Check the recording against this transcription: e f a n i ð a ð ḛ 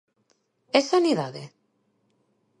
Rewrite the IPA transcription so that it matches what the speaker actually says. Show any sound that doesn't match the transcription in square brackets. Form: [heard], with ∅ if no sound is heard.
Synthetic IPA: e [s] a n i ð a ð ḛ